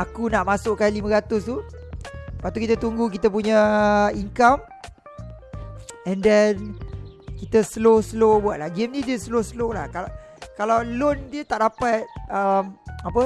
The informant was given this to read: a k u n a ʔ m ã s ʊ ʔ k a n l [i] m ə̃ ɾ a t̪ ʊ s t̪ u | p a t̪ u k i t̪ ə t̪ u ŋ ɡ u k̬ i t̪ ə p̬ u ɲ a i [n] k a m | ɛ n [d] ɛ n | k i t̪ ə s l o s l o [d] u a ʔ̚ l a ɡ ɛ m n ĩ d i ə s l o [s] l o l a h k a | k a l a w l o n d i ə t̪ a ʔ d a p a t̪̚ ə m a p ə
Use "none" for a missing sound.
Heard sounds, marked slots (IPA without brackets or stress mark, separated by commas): i, ŋ, d, b, s